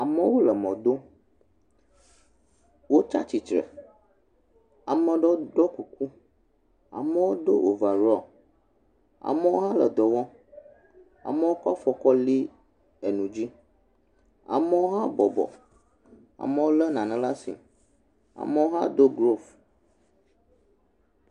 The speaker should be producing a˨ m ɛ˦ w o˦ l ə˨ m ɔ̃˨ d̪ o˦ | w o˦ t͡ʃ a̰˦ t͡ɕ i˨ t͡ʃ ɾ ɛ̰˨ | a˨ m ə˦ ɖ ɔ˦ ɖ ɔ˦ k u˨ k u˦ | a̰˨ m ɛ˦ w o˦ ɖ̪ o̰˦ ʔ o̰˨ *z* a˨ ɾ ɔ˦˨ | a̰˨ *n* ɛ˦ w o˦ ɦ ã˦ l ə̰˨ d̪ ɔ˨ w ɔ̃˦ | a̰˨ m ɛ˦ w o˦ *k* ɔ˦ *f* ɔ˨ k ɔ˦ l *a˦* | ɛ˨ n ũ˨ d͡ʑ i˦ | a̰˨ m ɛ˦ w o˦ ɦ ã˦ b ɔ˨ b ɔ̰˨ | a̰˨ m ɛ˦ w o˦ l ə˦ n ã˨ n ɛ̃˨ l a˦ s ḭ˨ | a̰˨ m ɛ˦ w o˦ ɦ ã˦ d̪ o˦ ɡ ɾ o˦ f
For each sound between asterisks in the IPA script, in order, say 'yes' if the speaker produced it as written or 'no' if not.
no, no, yes, yes, no

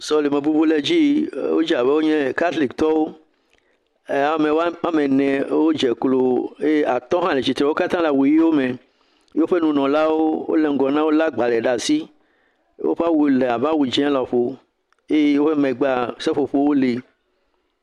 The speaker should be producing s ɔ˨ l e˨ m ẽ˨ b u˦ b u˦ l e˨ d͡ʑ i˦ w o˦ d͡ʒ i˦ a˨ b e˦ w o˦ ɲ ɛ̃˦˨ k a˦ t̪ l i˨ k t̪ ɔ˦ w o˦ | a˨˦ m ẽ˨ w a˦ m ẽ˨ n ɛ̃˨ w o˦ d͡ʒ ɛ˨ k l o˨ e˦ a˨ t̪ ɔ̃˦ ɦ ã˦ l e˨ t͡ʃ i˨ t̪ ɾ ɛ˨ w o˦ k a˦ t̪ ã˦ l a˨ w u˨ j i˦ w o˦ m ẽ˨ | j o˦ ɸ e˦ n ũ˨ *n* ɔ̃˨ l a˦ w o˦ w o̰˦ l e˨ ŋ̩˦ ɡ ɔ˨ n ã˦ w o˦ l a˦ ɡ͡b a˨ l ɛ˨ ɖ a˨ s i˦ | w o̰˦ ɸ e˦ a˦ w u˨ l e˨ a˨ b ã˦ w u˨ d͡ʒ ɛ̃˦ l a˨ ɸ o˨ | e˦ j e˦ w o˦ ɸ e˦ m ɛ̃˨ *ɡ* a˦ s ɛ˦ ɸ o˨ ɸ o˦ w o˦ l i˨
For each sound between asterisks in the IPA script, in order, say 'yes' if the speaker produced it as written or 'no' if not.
yes, no

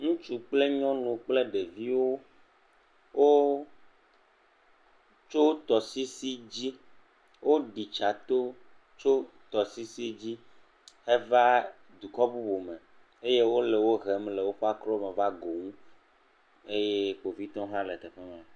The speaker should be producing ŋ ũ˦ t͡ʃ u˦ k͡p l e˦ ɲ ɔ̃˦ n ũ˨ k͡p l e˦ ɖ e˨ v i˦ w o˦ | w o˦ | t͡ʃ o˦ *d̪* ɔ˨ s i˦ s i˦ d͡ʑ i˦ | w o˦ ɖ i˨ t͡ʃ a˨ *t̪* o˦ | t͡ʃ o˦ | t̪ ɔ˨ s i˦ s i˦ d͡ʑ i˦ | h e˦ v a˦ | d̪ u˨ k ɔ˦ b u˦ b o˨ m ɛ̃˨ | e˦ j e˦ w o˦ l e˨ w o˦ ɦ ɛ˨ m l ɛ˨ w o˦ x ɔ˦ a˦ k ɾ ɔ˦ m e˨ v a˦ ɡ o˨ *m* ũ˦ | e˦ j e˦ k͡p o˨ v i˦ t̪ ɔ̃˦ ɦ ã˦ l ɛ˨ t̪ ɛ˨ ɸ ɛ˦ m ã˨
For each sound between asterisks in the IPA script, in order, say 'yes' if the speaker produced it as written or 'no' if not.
no, yes, no

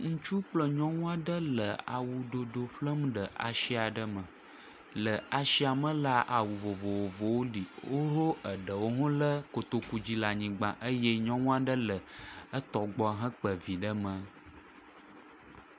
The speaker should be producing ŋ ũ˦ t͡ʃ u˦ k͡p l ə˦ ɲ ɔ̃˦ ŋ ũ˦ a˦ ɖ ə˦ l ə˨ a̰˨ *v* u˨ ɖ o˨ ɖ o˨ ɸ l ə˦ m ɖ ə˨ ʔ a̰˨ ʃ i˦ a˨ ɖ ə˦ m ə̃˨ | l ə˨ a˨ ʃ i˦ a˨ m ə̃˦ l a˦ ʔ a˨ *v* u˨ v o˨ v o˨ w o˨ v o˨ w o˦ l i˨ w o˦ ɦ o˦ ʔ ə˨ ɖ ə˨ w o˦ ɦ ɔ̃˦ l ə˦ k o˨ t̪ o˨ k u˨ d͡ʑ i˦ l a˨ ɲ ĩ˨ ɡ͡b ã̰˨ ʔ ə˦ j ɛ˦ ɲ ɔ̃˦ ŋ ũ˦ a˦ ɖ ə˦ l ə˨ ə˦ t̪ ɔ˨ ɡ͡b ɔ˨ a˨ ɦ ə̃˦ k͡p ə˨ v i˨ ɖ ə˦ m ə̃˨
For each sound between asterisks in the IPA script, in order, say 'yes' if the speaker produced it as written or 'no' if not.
no, no

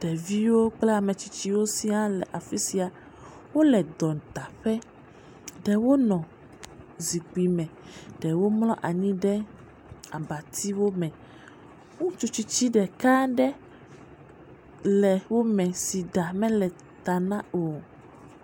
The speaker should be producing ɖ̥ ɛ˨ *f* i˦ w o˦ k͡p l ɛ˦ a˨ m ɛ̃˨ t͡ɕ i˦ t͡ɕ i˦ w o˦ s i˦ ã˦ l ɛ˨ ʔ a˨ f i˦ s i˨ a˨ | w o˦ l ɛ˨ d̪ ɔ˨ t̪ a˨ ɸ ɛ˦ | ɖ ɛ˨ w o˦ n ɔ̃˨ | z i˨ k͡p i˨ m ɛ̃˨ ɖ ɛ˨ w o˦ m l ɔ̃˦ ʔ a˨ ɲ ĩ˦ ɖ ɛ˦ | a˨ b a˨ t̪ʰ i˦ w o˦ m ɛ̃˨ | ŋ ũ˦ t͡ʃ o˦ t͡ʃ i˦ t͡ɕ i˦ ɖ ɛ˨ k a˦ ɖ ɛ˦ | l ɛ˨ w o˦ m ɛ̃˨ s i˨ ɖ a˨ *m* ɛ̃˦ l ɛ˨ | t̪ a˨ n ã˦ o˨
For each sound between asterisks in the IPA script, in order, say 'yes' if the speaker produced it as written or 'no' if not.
no, yes

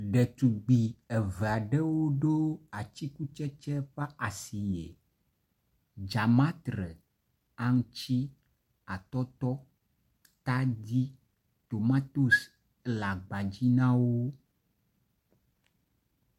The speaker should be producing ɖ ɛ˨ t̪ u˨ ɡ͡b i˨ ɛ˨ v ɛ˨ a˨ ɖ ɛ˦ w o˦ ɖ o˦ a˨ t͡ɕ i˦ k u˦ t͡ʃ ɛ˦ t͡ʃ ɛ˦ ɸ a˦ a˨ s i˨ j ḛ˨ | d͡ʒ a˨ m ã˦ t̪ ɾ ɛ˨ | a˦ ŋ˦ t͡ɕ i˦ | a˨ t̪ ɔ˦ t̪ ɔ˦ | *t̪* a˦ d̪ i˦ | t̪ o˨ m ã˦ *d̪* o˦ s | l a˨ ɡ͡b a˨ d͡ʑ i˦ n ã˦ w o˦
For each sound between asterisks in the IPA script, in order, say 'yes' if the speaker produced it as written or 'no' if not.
yes, no

